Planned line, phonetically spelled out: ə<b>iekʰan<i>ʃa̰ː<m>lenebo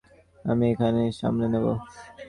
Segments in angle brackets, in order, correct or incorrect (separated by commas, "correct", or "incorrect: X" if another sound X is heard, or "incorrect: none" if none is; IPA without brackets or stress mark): incorrect: m, incorrect: e, correct